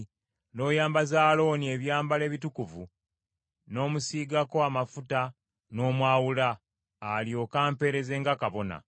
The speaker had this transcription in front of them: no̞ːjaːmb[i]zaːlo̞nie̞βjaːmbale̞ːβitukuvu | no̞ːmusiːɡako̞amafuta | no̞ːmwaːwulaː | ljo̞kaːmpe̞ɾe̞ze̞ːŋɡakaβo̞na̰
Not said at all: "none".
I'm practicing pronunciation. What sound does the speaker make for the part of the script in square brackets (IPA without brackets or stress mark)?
a